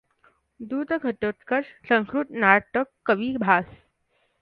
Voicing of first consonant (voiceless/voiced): voiced